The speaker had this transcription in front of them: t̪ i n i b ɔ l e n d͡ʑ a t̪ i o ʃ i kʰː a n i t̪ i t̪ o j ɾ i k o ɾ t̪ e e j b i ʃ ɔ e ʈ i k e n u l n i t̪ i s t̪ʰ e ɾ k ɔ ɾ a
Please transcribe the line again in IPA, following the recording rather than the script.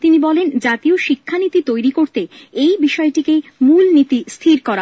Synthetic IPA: t̪ i n i b ɔ l e n d͡ʑ a t̪ i o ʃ i kʰː a n i t̪ i t̪ o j ɾ i k o ɾ t̪ e e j b i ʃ ɔ e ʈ i k e m u l n i t̪ i s t̪ʰ i ɾ k ɔ ɾ a

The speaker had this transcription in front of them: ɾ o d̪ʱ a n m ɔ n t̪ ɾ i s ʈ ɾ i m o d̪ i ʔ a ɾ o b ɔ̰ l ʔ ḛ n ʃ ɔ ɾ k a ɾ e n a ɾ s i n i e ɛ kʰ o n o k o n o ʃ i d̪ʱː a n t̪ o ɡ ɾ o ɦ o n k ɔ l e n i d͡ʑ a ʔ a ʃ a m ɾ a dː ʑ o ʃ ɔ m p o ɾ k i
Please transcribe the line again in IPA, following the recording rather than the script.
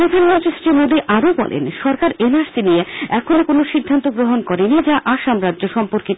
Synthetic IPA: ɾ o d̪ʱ a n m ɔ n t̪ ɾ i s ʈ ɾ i m o d̪ i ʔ a ɾ o b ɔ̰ l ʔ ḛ n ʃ ɔ ɾ k a ɾ e n a ɾ s i n i e ɛ kʰ o n o k o n o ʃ i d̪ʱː a n t̪ o ɡ ɾ o ɦ o n k ɔ ɾ e n i d͡ʑ a ʔ a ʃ a m ɾ a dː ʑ o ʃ ɔ m p o ɾ k i

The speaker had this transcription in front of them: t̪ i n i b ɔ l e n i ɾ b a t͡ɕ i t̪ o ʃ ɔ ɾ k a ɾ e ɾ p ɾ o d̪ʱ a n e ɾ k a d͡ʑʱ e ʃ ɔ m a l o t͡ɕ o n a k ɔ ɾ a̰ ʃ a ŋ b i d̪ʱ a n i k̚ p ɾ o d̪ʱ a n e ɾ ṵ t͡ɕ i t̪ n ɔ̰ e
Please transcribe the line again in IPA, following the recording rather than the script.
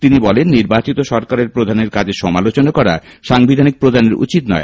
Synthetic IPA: t̪ i n i b ɔ l e nː i ɾ b a t͡ɕ i t̪ o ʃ ɔ ɾ k a ɾ e ɾ p ɾ o d̪ʱ a n e ɾ k a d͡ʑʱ e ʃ ɔ m a l o t͡ɕ o n a k ɔ ɾ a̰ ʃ a ŋ b i d̪ʱ a n i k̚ p ɾ o d̪ʱ a n e ɾ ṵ t͡ɕ i t̪ n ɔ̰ e

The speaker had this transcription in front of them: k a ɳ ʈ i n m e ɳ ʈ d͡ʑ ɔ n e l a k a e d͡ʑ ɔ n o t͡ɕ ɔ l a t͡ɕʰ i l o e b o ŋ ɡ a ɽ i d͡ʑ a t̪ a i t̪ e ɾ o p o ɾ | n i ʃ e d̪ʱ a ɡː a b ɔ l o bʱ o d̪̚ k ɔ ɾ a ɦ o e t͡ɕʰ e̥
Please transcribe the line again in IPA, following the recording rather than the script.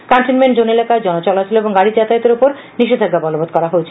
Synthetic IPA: k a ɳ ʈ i n m e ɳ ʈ d͡ʑ o n e l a k a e d͡ʑ ɔ n o t͡ɕ ɔ l a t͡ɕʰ i l o e b o ŋ ɡ a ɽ i d͡ʑ a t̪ a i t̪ e ɾ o p o ɾ | n i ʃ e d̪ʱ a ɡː a b ɔ l o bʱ o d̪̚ k ɔ ɾ a ɦ o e t͡ɕʰ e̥

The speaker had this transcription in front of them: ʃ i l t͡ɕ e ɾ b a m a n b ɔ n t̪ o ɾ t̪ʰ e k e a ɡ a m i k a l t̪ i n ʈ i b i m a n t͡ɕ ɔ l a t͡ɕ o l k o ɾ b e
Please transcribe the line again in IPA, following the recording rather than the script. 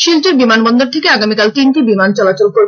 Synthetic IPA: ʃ i l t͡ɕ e ɾ b i m a n b ɔ n d̪ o ɾ t̪ʰ e k e a ɡ a m i k a l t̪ i n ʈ i b i m a n t͡ɕ ɔ l a t͡ɕ o l k o ɾ b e

